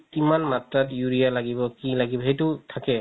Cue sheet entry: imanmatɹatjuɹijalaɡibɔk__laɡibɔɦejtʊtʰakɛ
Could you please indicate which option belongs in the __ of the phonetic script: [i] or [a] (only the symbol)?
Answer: i